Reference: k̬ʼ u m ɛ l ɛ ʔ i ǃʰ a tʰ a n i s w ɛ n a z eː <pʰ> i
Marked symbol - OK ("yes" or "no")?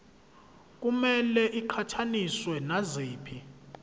yes